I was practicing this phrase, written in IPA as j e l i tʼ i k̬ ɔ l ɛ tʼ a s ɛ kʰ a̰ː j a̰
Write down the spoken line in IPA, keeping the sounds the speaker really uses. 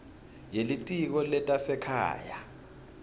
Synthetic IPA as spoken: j e l i tʼ i k̬ ɔ l ɛ tʼ a s ɛ kʰ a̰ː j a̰

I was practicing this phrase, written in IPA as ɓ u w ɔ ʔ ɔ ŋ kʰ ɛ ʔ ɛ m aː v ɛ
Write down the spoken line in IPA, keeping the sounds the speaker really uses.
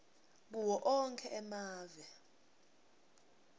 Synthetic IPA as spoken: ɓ u w ɔ ʔ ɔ ŋ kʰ ɛ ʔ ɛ m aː v ɛ

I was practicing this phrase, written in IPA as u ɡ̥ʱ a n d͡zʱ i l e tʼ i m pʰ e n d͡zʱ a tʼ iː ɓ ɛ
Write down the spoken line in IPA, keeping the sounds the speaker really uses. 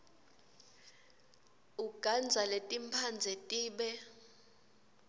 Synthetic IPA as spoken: u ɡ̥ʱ a n d͡zʱ a l e tʼ i m pʰ a n d͡zʱ ɛ tʼ iː ɓ ɛ

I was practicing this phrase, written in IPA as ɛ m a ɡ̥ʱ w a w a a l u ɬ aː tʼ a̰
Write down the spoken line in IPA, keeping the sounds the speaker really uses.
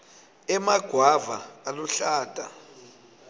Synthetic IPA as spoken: ɛ m a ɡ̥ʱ w a v a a l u ɬ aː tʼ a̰

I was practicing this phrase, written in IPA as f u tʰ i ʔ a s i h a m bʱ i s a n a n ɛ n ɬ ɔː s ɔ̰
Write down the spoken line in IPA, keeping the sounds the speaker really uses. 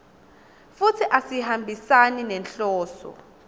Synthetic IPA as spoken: f u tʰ i ʔ a s i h a m bʱ i s a n i n ɛ n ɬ ɔː s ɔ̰

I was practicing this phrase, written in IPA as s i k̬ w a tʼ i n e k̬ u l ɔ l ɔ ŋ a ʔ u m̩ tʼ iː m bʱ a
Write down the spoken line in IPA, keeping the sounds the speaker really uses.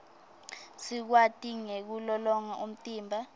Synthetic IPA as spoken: s i k̬ w a tʼ i ŋ e k̬ u l ɔ l ɔ ŋ a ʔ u m̩ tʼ iː m bʱ a

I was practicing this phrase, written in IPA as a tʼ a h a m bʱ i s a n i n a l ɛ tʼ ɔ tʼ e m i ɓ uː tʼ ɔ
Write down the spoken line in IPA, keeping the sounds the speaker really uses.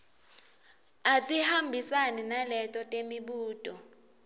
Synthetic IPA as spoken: a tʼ i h a m bʱ i s a n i n a l ɛ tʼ ɔ tʼ e m i ɓ uː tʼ ɔ

